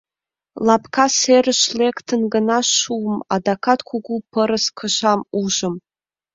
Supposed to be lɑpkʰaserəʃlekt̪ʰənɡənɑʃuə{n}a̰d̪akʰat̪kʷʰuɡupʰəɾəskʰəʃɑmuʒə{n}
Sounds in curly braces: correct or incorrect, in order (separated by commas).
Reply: incorrect, incorrect